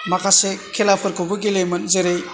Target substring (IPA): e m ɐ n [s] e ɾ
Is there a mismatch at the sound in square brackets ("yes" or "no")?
yes